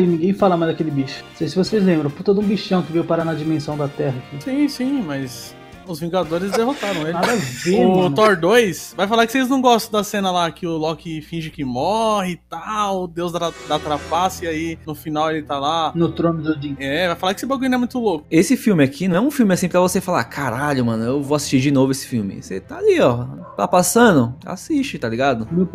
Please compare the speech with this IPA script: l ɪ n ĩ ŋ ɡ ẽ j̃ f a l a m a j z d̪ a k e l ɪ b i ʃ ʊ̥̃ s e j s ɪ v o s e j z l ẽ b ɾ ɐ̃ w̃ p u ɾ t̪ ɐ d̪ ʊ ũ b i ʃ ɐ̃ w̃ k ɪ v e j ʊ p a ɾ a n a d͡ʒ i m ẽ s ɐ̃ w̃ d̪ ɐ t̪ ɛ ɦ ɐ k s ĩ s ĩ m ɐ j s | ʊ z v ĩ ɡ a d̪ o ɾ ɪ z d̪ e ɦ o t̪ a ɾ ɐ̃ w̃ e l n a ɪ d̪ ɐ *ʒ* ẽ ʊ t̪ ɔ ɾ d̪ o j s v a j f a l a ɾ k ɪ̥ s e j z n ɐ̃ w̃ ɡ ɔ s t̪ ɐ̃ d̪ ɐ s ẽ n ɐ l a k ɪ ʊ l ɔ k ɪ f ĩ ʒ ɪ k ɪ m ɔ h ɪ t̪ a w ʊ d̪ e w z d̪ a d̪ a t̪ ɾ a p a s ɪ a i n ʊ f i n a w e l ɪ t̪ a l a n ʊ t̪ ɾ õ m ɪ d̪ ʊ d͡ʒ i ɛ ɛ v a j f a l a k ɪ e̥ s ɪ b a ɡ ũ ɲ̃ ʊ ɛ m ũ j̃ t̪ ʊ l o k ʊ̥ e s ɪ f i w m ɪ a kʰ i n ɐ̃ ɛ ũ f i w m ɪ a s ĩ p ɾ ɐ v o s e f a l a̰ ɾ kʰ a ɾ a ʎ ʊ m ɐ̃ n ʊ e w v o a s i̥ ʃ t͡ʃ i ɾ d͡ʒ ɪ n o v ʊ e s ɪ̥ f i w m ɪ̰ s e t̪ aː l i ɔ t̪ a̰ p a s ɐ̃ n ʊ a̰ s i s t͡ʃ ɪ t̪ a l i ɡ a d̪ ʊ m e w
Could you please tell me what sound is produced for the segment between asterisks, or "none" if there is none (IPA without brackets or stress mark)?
v